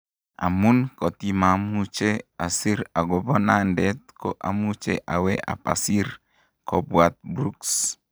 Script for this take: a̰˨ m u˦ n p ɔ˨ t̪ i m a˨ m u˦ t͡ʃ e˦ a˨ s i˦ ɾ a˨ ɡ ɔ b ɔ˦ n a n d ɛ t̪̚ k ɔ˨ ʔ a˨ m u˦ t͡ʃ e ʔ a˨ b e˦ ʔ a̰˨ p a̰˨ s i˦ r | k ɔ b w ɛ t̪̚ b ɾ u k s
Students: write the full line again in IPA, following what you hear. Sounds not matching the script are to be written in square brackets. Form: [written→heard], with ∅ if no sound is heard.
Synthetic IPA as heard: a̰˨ m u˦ n [p→k] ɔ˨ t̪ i m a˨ m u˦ t͡ʃ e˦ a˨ s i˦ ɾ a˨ ɡ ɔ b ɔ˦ n a n d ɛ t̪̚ k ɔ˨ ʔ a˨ m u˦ t͡ʃ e ʔ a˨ [b→w] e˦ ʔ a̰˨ p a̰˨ s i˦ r | k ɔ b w [ɛ→a] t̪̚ b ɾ u k s